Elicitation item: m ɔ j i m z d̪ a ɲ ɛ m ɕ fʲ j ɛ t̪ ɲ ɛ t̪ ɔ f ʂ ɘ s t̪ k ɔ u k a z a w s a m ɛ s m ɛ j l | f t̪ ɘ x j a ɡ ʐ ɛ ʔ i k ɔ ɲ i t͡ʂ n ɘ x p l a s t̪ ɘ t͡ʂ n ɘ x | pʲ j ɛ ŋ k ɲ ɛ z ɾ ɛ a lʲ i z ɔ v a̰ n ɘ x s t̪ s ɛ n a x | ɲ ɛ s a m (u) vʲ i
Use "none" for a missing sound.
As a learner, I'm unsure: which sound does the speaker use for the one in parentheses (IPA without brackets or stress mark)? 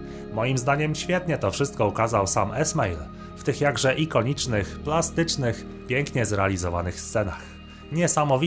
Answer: ɔ